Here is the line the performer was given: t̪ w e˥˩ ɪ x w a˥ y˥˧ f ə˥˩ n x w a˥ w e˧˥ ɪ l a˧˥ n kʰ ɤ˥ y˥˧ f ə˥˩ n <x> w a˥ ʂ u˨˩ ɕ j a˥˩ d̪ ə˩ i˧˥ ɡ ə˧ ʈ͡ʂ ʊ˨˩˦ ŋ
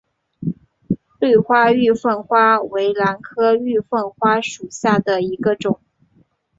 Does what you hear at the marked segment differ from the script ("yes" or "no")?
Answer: no